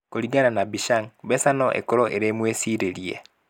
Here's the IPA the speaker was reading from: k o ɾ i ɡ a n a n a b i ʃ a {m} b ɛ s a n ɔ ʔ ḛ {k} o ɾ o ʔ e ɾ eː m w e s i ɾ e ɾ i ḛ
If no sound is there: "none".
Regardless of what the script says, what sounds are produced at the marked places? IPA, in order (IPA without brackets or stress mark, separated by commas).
ŋ, k